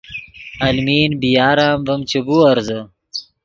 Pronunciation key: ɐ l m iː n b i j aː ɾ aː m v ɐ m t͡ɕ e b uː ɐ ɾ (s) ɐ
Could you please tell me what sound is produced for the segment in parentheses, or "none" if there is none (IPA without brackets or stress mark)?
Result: z